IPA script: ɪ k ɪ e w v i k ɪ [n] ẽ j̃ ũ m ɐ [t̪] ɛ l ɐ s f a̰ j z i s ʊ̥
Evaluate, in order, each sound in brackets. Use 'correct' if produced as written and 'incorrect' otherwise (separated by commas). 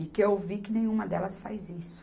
correct, incorrect